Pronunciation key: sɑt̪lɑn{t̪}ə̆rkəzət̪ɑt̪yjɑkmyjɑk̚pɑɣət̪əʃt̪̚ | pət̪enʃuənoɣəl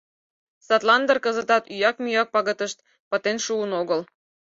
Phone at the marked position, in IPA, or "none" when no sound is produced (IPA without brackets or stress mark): d̪